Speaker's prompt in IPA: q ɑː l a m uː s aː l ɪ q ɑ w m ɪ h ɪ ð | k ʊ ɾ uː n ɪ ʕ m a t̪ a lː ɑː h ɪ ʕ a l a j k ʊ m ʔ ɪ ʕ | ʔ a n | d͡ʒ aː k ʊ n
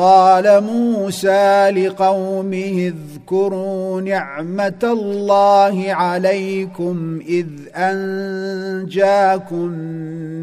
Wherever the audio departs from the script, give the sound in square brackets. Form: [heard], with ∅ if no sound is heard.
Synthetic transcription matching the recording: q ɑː l a m uː s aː l ɪ q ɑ w m ɪ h ɪ ð | k ʊ ɾ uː n ɪ ʕ m a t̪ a lː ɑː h ɪ ʕ a l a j k ʊ m ʔ ɪ [ð] | ʔ a n | d͡ʒ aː k ʊ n